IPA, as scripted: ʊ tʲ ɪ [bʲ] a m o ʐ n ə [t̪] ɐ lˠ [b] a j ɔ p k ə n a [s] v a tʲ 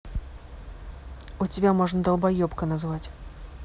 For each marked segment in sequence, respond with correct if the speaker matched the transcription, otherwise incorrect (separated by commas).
correct, incorrect, correct, incorrect